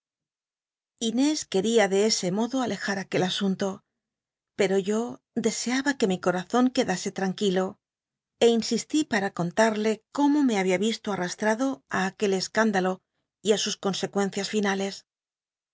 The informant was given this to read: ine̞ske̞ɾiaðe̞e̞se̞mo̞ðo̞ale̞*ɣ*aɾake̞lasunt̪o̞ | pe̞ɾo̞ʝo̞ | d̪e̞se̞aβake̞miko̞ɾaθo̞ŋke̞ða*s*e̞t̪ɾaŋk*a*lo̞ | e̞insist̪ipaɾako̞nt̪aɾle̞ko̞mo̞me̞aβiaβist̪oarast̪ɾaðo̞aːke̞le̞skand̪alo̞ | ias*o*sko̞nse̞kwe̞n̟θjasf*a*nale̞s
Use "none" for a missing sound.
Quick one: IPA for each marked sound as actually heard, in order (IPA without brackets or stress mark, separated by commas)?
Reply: x, s, i, u, i